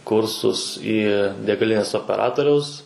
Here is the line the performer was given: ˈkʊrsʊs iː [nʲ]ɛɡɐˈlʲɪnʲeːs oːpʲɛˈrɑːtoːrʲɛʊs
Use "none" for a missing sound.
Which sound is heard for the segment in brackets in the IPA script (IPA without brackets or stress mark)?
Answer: dʲ